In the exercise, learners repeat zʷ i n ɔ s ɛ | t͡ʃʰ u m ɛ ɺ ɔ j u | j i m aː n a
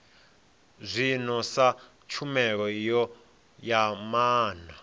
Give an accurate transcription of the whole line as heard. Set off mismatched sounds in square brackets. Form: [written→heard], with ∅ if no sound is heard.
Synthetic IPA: zʷ i n ɔ s [ɛ→a] | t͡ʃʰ u m ɛ ɺ ɔ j [u→ɔ] | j [i→a] m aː n a